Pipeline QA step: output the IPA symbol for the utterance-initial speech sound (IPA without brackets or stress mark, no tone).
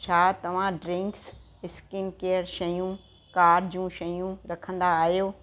t͡ɕʰ